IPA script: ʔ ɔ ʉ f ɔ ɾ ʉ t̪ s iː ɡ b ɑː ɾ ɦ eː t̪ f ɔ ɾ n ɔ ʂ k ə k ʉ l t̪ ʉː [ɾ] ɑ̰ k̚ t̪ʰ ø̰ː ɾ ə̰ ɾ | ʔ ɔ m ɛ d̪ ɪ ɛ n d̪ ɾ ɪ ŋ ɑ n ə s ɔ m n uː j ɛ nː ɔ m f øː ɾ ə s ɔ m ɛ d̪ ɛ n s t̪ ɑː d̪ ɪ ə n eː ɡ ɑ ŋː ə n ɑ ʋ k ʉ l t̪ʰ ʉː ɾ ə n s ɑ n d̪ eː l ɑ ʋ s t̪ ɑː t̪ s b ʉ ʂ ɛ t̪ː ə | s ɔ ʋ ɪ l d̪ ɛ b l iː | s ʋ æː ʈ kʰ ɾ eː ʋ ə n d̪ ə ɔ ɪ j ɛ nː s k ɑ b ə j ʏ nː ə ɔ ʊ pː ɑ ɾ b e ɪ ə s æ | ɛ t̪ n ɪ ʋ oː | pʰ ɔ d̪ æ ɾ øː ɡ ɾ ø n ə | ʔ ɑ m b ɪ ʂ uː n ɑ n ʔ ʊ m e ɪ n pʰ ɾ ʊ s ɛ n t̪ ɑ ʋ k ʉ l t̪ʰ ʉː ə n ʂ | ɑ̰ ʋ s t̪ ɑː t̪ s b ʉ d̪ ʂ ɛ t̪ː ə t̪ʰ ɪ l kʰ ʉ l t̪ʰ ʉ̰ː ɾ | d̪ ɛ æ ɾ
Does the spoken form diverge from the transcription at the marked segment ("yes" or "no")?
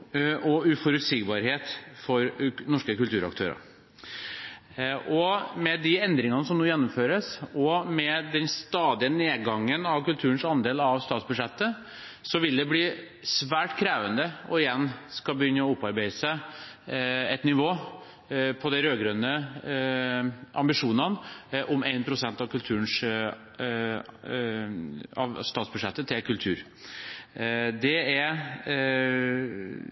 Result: no